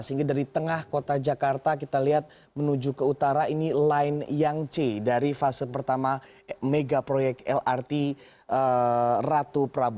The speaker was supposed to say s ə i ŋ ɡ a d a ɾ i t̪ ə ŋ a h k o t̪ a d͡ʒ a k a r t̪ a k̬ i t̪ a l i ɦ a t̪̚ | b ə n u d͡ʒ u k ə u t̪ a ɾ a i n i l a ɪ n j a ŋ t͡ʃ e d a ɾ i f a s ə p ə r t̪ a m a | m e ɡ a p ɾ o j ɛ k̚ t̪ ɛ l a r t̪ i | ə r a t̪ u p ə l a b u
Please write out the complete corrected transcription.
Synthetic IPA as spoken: s ə i ŋ ɡ a d a ɾ i t̪ ə ŋ a h k o t̪ a d͡ʒ a k a r t̪ a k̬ i t̪ a l i ɦ a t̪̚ | m ə n u d͡ʒ u k ə u t̪ a ɾ a i n i l a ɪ n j a ŋ t͡ʃ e d a ɾ i f a s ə p ə r t̪ a m a | m e ɡ a p ɾ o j ɛ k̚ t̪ ɛ l a r t̪ i | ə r a t̪ u p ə ɾ a b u

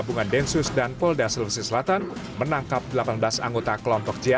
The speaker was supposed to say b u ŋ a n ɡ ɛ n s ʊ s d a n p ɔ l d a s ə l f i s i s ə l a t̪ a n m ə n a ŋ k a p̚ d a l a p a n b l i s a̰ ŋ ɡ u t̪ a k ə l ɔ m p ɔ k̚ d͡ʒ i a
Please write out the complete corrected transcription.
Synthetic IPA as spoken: b u ŋ a n d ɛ n s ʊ s d a n p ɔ l d a s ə l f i s i s ə l a t̪ a n m ə n a ŋ k a p̚ d ə l a p a n b l a s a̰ ŋ ɡ o t̪ a k ə l ɔ m p ɔ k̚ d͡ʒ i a

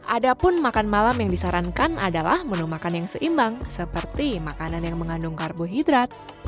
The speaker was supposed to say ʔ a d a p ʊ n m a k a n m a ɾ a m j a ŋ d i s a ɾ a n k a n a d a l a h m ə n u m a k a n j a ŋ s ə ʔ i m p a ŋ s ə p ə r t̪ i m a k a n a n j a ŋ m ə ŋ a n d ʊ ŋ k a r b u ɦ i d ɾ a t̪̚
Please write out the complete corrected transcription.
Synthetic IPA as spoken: ʔ a d a p ʊ n m a k a n m a l a m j a ŋ d i s a ɾ a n k a n a d a l a h m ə n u m a k a n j a ŋ s ə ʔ i m b a ŋ s ə p ə r t̪ i m a k a n a n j a ŋ m ə ŋ a n d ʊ ŋ k a r b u ɦ i d ɾ a t̪̚

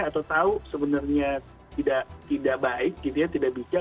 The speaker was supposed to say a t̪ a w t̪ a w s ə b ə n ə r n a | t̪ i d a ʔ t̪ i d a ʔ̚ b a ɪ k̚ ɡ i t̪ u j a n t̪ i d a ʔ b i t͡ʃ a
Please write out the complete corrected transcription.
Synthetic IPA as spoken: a t̪ a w t̪ a u s ə b ə n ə r ɲ a | t̪ i d a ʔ t̪ i d a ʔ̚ b a ɪ k̚ ɡ i t̪ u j a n t̪ i d a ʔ b i t͡ʃ a

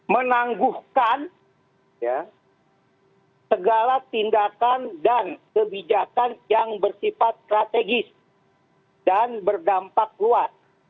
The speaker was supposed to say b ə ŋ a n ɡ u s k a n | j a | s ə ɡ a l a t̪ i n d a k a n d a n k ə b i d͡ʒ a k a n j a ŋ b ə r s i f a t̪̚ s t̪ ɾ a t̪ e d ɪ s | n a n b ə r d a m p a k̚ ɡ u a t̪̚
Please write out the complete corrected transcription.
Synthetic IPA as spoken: m ə n a ŋ ɡ u h k a n | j a | s ə ɡ a l a t̪ i n d a k a n d a n k ə b i d͡ʒ a k a n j a ŋ b ə r s i f a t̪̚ s t̪ ɾ a t̪ e ɡ ɪ s | d a n b ə r d a m p a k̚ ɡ u a t̪̚

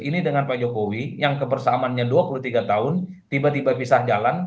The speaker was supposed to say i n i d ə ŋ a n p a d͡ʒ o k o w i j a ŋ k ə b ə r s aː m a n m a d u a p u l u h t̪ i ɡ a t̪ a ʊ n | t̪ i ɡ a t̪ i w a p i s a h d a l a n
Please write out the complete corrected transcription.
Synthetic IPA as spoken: i n i d ə ŋ a n p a d͡ʒ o k o w i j a ŋ k ə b ə r s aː m a n ɲ a d u a p u l u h t̪ i ɡ a t̪ a ʊ n | t̪ i b a t̪ i b a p i s a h d͡ʒ a l a n

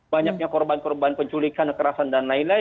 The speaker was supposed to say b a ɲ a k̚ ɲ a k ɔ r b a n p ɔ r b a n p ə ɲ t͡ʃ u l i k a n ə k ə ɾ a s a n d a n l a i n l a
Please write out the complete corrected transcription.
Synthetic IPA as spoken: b a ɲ a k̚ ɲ a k ɔ r b a n k ɔ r b a n p ə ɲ t͡ʃ u l i k a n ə k ə ɾ a s a n d a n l a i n l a

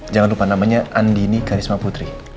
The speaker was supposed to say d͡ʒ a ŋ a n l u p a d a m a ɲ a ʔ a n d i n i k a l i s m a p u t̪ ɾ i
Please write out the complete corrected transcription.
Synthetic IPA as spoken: d͡ʒ a ŋ a n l u p a n a m a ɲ a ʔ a n d i n i k a ɾ i s m a p u t̪ ɾ i

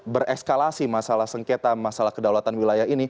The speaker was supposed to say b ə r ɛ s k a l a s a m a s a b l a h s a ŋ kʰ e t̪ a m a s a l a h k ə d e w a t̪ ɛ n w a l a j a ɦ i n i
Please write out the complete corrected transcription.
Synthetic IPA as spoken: b ə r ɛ s k a l a s i m a s a l a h s ə ŋ k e t̪ a m a s a l a h k ə d a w a t̪ a n w i l a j a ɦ i n i

